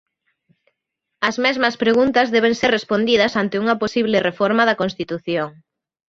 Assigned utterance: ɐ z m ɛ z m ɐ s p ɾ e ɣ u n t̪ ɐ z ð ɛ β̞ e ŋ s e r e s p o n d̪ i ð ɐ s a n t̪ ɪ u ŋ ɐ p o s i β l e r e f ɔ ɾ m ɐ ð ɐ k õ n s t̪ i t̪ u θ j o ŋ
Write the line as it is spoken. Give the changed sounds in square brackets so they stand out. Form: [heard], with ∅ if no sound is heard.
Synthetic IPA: ɐ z m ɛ z m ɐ s p ɾ e ɣ u n t̪ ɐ z ð ɛ β̞ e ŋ s e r e s p o n d̪ i ð ɐ s a n t̪ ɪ u ŋ ɐ p o s i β l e r e f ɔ ɾ m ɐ ð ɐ k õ n s t̪ i t̪ u θ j o ŋ